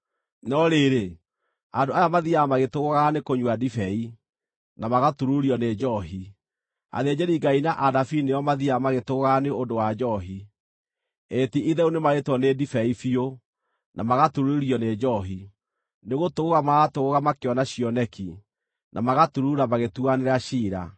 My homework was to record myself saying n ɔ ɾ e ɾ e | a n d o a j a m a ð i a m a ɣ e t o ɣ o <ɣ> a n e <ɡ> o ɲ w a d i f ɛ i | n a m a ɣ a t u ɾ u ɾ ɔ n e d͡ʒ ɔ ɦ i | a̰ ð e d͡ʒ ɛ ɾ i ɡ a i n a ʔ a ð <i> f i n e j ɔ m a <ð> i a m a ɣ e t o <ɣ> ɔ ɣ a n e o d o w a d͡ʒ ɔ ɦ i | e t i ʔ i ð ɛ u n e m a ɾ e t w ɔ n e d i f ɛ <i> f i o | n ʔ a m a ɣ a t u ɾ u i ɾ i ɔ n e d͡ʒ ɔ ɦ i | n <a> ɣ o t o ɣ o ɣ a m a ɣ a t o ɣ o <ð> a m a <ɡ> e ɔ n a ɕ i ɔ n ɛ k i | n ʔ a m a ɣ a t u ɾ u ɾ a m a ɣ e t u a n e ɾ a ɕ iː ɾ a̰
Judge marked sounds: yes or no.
yes, no, no, yes, yes, yes, no, no, no

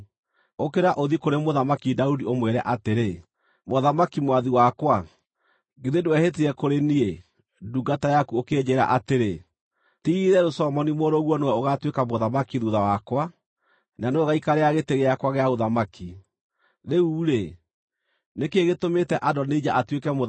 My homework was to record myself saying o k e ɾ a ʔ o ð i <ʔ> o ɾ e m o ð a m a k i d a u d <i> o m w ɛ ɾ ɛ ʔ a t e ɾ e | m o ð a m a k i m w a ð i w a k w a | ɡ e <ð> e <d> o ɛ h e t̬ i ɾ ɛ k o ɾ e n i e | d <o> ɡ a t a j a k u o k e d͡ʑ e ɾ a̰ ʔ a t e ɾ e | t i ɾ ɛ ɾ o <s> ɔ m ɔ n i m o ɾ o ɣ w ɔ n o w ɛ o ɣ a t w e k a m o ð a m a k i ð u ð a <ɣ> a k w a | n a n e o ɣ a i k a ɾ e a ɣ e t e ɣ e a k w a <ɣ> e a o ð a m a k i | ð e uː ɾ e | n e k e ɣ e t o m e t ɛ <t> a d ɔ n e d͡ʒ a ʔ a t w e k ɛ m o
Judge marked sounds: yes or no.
no, yes, yes, yes, no, yes, no, yes, no

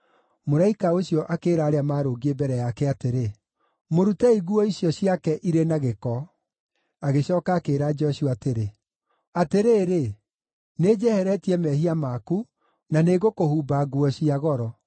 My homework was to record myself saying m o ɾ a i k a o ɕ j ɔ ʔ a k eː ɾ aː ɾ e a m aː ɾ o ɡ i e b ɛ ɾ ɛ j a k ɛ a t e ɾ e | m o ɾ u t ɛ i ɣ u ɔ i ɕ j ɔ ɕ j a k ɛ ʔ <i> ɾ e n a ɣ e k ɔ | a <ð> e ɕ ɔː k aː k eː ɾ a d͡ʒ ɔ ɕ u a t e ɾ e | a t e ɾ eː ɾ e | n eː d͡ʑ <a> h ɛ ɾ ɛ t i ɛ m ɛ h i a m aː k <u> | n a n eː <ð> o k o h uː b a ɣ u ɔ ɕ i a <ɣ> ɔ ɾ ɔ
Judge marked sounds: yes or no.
yes, no, no, yes, no, yes

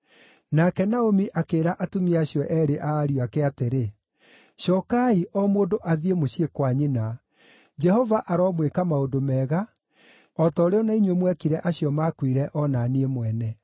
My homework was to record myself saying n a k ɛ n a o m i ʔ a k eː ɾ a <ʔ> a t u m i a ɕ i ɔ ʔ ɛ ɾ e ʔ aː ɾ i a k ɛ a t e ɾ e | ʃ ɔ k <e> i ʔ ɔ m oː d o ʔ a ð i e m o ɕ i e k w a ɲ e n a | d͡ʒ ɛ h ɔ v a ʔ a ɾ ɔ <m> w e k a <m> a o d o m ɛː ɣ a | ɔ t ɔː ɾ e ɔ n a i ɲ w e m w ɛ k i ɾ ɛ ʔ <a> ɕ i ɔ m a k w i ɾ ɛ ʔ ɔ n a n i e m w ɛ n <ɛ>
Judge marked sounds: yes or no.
yes, no, yes, yes, yes, yes

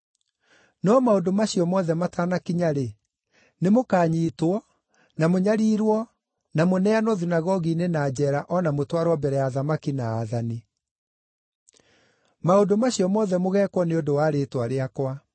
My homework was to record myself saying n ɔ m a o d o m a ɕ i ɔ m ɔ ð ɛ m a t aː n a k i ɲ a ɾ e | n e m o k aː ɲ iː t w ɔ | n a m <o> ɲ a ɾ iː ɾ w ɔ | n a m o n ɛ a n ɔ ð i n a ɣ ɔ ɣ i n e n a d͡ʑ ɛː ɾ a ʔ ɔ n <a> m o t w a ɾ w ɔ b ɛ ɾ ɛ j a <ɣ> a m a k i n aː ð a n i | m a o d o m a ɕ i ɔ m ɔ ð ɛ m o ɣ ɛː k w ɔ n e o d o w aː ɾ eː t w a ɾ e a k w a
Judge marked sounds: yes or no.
yes, yes, no

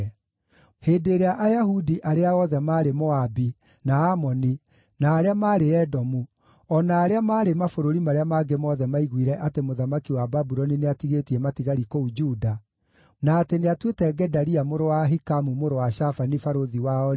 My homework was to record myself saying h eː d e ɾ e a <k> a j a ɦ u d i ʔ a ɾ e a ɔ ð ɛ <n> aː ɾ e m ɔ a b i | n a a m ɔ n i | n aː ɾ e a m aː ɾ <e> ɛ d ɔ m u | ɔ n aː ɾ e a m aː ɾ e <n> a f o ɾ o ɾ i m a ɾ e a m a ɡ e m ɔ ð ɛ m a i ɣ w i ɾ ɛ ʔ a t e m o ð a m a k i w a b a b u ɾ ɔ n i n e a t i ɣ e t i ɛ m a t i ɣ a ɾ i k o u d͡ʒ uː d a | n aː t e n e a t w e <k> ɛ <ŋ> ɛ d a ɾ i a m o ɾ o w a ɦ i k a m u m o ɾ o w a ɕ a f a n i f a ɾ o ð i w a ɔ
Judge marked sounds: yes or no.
no, no, yes, no, no, no

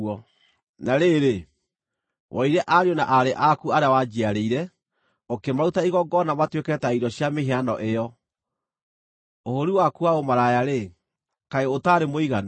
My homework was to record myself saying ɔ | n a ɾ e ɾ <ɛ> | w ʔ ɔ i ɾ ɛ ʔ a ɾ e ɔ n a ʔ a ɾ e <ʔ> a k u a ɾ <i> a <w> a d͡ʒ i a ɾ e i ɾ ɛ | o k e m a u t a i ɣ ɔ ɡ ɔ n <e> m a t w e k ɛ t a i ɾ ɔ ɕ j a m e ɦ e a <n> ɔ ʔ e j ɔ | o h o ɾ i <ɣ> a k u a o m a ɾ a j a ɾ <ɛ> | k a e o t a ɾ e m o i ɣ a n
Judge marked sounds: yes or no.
no, yes, no, yes, no, yes, no, no

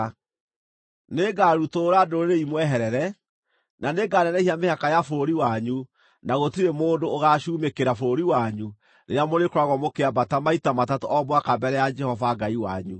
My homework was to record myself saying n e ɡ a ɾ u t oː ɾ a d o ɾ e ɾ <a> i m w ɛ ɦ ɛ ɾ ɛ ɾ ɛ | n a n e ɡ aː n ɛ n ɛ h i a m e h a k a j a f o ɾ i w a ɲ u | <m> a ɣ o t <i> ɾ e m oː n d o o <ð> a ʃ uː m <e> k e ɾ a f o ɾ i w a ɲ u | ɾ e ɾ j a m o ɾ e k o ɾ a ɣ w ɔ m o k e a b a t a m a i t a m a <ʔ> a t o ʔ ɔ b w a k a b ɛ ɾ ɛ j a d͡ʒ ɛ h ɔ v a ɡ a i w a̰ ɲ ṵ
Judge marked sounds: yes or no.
no, no, yes, no, yes, no

